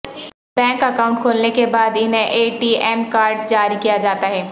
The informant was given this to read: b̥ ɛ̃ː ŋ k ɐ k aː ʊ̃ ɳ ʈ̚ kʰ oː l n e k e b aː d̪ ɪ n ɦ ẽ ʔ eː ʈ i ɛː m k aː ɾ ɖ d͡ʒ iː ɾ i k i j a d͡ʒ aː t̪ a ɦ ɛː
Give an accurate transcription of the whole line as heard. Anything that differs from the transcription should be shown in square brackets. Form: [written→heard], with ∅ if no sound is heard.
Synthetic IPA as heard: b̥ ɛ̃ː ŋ k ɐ k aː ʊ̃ ɳ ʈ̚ kʰ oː l n e k e b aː d̪ ɪ n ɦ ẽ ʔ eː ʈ i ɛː m k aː ɾ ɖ d͡ʒ [iː→aː] ɾ i k i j a d͡ʒ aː t̪ a ɦ ɛː

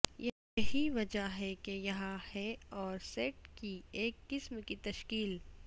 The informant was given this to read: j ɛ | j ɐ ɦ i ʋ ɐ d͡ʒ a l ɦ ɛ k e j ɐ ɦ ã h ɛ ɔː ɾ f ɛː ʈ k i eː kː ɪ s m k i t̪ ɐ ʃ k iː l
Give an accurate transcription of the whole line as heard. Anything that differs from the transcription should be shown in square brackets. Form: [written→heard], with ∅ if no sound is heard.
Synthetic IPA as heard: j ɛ | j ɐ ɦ i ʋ ɐ d͡ʒ a [l→∅] ɦ ɛ k e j ɐ ɦ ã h ɛ ɔː ɾ [f→s] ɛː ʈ k i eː kː ɪ s m k i t̪ ɐ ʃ k iː l

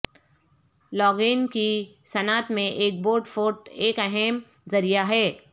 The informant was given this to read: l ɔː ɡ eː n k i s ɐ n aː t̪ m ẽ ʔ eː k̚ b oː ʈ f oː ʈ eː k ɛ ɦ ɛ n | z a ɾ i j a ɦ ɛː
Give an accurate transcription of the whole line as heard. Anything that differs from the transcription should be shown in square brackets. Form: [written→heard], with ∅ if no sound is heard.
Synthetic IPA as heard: l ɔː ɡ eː n k i s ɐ n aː t̪ m ẽ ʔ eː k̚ b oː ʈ f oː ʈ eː k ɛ ɦ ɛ [n→m] | z [a→ɐ] ɾ i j a ɦ ɛː

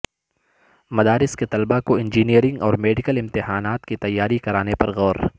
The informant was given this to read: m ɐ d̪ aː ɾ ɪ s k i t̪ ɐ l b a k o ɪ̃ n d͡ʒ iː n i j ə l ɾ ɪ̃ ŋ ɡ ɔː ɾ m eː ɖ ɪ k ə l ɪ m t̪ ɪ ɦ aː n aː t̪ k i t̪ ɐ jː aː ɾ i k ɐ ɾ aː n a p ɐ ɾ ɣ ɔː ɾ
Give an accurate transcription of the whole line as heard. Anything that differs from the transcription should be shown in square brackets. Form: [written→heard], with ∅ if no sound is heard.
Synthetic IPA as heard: m ɐ d̪ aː ɾ ɪ s k [i→e] t̪ ɐ l b a k o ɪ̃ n d͡ʒ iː n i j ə [l→∅] ɾ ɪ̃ ŋ ɡ ɔː ɾ m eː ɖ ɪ k ə l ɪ m t̪ ɪ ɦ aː n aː t̪ k i t̪ ɐ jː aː ɾ i k ɐ ɾ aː n [a→e] p ɐ ɾ ɣ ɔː ɾ

